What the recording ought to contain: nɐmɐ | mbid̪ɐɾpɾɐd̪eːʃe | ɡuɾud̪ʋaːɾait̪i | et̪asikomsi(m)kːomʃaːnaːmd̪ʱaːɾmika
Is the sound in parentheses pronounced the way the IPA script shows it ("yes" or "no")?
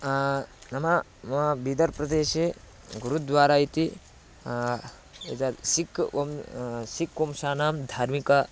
no